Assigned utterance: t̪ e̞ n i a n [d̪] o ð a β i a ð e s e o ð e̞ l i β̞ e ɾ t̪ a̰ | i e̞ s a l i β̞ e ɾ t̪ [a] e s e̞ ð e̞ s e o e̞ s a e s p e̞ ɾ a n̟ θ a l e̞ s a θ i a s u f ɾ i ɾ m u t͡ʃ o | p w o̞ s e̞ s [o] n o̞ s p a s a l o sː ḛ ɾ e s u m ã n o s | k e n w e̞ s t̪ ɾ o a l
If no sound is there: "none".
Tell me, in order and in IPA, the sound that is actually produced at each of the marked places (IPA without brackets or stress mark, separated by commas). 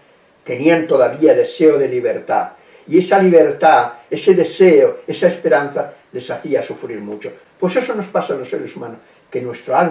t̪, a, o